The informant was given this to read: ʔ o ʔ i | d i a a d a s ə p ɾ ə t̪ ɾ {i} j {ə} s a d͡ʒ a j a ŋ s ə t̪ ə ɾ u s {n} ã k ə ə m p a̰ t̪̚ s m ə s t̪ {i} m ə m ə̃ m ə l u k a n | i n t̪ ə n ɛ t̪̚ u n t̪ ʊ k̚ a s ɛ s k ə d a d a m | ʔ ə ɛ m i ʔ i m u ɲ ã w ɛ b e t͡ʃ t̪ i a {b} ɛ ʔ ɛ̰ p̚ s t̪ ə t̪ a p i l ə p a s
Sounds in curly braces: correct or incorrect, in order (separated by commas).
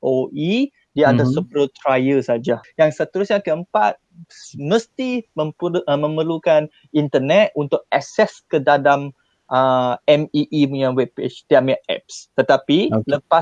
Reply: incorrect, correct, incorrect, correct, incorrect